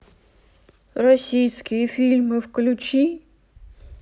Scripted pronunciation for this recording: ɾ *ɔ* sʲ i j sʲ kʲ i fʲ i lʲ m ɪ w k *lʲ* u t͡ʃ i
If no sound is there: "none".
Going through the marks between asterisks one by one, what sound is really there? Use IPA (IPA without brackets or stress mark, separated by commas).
ɔ, lʲ